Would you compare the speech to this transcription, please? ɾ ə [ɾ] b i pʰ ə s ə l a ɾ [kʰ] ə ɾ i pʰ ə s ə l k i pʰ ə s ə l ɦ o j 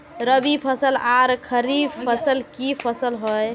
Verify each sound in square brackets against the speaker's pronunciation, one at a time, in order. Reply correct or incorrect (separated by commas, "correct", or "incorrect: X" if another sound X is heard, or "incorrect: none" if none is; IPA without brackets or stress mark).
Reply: incorrect: none, correct